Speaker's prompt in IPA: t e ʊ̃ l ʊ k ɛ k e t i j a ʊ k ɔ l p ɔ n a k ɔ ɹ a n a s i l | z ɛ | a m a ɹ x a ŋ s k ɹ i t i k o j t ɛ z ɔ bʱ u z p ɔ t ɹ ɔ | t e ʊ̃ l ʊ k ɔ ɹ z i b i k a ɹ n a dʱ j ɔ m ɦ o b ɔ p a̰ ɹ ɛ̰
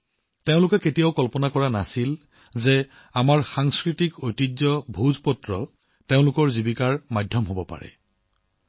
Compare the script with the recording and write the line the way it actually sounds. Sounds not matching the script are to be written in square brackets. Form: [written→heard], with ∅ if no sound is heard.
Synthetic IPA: t e ʊ̃ l ʊ k ɛ k e t i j a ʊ k ɔ l p ɔ n a k ɔ ɹ a n a s i l | z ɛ | a m a ɹ x a ŋ s k ɹ i t i k o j t [ɛ→i] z ɔ bʱ u z p ɔ t ɹ ɔ | t e ʊ̃ l ʊ k ɔ ɹ z i b i k a ɹ [n→m] a dʱ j ɔ m ɦ o b ɔ p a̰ ɹ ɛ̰